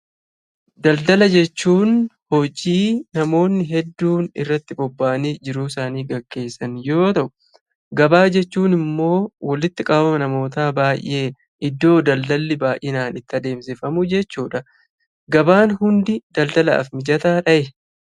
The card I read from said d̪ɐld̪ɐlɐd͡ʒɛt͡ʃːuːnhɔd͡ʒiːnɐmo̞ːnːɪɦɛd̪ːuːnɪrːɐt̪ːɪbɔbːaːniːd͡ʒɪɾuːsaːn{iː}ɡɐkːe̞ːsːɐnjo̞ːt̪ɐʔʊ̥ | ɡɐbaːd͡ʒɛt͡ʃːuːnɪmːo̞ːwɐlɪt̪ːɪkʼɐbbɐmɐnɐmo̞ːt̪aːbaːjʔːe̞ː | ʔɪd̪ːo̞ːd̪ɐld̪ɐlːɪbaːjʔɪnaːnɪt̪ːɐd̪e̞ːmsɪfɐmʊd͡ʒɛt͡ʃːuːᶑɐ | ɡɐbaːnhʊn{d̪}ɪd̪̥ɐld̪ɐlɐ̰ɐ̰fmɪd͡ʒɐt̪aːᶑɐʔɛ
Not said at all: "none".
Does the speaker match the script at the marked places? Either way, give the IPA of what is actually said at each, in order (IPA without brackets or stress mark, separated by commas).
iː, d̪